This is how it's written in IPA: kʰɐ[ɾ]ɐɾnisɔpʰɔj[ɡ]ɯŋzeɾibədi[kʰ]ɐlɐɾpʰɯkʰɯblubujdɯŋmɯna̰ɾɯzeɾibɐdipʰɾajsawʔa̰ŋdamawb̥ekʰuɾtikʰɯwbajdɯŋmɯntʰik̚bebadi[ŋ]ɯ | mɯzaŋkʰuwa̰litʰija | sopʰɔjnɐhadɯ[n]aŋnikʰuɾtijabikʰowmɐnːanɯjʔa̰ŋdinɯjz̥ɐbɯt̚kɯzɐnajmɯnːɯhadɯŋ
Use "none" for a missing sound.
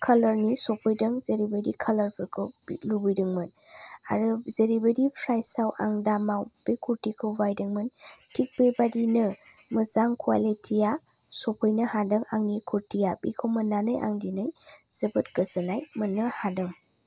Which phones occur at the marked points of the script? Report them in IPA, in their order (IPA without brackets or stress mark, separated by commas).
l, d, kʰ, n, ŋ